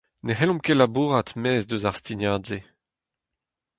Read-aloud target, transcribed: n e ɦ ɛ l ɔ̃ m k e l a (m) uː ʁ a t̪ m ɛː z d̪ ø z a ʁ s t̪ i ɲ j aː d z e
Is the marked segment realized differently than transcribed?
yes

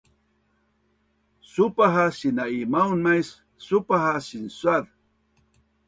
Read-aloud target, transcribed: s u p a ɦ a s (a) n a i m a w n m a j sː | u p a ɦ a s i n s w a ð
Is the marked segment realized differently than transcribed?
yes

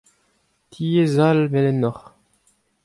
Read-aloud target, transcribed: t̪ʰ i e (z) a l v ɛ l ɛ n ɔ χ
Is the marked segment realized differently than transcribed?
no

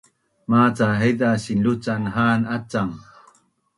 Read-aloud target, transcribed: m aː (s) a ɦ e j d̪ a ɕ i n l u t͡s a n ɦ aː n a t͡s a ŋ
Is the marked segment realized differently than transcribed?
yes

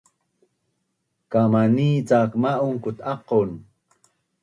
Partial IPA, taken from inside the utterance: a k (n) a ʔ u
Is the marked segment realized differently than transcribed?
yes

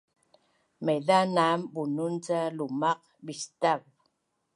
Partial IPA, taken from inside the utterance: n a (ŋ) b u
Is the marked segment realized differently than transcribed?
yes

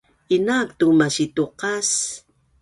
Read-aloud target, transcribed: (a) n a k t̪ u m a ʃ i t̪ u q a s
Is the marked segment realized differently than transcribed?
yes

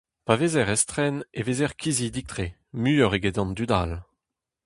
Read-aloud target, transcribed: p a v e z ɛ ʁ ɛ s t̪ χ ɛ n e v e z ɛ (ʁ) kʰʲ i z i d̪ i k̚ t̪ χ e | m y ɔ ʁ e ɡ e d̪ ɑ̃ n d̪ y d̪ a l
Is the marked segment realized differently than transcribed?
no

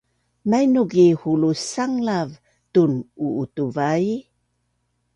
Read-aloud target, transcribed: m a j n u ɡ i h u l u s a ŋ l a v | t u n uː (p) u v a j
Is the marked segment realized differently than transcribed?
yes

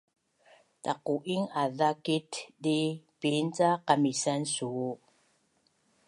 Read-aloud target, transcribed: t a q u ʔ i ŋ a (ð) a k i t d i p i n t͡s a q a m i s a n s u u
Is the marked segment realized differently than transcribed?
no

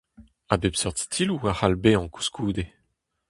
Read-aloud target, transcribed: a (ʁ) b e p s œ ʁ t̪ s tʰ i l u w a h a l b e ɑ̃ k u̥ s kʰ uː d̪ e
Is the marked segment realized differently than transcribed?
yes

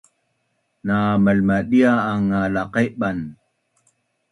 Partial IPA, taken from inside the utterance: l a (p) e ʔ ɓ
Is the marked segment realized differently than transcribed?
yes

